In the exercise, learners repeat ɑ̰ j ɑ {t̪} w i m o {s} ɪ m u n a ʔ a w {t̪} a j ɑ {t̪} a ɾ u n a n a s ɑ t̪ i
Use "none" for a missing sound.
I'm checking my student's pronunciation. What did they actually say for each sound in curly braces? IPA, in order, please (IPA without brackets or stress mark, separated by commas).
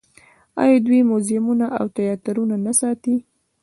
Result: d̪, z, t̪, t̪